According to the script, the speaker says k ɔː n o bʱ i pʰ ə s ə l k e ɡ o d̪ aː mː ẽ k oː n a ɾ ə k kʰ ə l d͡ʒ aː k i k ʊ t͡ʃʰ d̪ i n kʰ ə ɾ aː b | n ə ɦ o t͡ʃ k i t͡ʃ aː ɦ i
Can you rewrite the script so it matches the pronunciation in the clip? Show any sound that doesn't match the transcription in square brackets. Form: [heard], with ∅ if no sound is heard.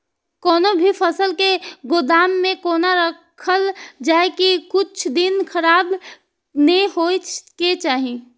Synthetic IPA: k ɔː n o bʱ i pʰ ə s ə l k e ɡ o d̪ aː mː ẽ k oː n a ɾ ə k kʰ ə l d͡ʒ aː k i k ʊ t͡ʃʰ d̪ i n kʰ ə ɾ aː b | n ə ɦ o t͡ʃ k [e] t͡ʃ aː ɦ i